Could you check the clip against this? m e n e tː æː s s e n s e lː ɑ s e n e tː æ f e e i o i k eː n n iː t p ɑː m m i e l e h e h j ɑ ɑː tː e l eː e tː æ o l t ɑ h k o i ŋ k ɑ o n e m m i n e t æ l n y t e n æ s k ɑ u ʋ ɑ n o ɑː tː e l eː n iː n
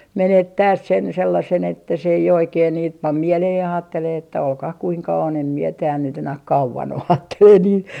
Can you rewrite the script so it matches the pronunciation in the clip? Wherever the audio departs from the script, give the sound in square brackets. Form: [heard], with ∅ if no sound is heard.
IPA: m e n e tː æː s s e n s e lː ɑ s e n e tː æ [s] e e i o i k eː n n iː t p [ɑ] m m i e l e h e h j ɑ ɑː tː e l eː e tː æ o l [k] ɑ h k [u] i ŋ k ɑ o n e m m i [∅] e t [æː] l n y t e n æ [h] k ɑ u ʋ ɑ n o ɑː tː e l eː n iː n